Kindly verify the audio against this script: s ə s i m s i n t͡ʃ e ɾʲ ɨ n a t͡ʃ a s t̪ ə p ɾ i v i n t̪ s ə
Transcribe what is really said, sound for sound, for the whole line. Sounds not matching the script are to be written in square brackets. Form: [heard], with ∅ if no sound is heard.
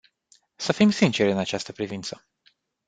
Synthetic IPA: s ə [f] i m s i n t͡ʃ e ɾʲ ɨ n a t͡ʃ a s t̪ ə p ɾ i v i n t̪ s ə